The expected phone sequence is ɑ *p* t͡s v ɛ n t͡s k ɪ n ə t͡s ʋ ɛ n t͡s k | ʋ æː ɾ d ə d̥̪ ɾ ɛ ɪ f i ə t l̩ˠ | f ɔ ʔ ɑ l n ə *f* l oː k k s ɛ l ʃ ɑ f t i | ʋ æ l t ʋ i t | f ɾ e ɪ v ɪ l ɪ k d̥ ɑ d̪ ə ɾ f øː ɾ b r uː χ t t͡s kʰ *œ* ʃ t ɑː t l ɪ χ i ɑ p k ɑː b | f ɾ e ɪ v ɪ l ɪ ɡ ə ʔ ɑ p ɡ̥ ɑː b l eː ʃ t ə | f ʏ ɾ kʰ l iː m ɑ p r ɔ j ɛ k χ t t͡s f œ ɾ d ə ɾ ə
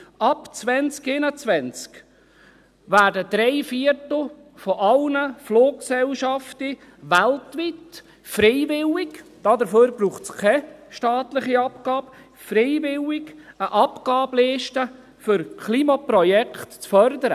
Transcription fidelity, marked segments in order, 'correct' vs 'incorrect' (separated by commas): correct, correct, incorrect